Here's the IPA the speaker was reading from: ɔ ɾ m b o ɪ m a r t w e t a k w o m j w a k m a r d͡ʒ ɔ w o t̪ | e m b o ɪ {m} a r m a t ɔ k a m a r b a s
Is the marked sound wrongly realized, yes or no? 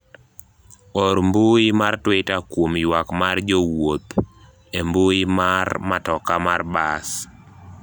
no